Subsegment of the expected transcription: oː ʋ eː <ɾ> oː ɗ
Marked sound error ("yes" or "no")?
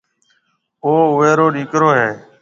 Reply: no